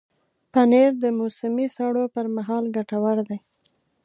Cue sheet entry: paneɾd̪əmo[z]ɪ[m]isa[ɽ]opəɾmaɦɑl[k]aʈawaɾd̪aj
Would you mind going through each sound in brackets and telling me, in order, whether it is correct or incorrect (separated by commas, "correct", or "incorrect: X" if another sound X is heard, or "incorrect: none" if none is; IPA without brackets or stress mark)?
incorrect: s, correct, correct, incorrect: ɡ